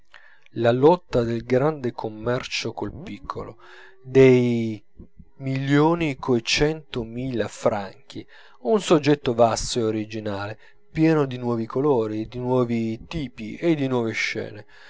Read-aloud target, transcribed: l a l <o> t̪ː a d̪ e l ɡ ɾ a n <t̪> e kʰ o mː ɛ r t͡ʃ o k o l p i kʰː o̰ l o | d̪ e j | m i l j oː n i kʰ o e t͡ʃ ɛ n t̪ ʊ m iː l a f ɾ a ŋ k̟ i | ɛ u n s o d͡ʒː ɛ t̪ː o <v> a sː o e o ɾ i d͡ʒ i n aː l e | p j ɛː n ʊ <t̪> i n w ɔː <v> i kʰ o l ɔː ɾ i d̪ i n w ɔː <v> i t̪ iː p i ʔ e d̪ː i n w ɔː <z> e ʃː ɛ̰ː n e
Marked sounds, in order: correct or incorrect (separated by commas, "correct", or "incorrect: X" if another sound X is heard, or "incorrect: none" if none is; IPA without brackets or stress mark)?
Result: incorrect: ɔ, incorrect: d̪, correct, incorrect: d̪, correct, correct, incorrect: v